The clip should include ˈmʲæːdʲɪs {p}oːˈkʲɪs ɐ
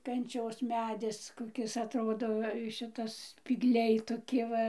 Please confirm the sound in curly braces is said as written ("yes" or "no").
no